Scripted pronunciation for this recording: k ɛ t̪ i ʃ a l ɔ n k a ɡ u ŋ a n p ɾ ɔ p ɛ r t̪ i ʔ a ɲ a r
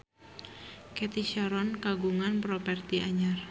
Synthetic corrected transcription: k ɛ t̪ i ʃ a ɾ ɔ n k a ɡ u ŋ a n p ɾ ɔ p ɛ r t̪ i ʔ a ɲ a r

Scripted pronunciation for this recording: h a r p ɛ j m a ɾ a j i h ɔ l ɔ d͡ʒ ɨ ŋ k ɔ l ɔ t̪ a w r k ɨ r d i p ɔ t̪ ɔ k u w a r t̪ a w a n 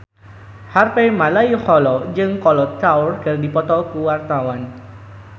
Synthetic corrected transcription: h a r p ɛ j m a l a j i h ɔ l ɔ d͡ʒ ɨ ŋ k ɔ l ɔ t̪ a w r k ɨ r d i p ɔ t̪ ɔ k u w a r t̪ a w a n

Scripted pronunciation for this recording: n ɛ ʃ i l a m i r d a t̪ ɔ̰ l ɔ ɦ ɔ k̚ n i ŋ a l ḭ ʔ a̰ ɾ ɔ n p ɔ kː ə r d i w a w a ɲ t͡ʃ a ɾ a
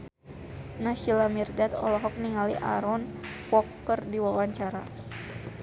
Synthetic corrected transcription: n a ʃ i l a m i r d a t̪ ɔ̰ l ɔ ɦ ɔ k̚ n i ŋ a l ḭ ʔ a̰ ɾ ɔ n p ɔ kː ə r d i w a w a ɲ t͡ʃ a ɾ a

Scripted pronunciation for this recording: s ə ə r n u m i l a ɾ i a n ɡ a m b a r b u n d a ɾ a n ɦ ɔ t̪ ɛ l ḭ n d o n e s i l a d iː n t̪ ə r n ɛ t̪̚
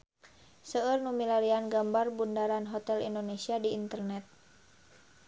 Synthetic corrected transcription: s ə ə r n u m i l a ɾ i a n ɡ a m b a r b u n d a ɾ a n ɦ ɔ t̪ ɛ l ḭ n d o n e s i a d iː n t̪ ə r n ɛ t̪̚

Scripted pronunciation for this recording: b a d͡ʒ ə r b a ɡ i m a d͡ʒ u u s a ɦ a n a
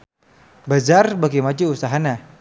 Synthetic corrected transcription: b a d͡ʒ a r b a ɡ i m a d͡ʒ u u s a ɦ a n a

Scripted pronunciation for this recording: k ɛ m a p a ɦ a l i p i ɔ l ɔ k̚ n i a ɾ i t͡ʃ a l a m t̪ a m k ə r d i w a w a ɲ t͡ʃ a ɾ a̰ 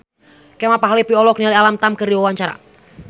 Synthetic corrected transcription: k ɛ m a p a ɦ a l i p i ɔ l ɔ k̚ n i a l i a l a m t̪ a m k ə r d i w a w a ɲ t͡ʃ a ɾ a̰

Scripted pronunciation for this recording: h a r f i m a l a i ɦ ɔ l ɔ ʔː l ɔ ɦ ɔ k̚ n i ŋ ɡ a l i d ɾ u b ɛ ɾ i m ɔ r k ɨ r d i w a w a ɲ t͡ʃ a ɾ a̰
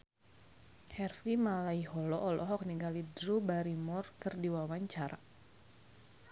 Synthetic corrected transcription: h ɛ r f i m a l a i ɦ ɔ l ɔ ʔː l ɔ ɦ ɔ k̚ n i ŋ ɡ a l i d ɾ u b a ɾ i m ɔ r k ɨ r d i w a w a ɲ t͡ʃ a ɾ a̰

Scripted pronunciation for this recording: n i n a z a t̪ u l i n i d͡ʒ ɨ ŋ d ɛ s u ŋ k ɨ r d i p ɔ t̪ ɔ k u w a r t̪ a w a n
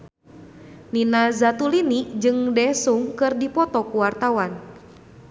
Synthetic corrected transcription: n i n a z a t̪ u l i n i d͡ʒ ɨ ŋ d ɛ s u ŋ k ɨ r d i p ɔ t̪ ɔ k u w a r t̪ a w a n

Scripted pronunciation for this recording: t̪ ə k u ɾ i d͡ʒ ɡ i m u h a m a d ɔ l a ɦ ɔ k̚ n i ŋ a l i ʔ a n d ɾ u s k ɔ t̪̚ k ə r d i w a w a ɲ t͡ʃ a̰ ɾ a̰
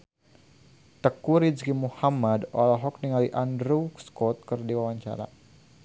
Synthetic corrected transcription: t̪ ə k u ɾ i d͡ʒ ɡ i m u h a m a d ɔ l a ɦ ɔ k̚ n i ŋ a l i ʔ a n d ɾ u s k ɔ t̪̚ k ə r d i w a w a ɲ t͡ʃ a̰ ɾ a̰

